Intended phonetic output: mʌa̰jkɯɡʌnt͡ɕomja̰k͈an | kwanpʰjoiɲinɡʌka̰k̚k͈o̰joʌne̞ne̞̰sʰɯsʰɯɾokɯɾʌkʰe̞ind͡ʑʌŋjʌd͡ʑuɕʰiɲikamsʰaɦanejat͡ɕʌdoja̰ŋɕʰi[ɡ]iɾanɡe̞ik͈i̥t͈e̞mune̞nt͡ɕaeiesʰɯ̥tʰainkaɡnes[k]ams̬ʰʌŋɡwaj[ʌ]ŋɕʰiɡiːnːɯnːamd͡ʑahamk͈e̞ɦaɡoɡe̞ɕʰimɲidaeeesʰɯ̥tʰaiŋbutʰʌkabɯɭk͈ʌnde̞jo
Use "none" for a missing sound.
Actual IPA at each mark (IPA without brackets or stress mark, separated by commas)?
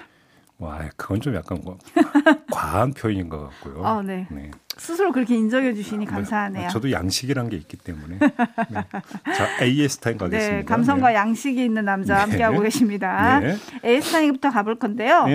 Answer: ɡ, k, a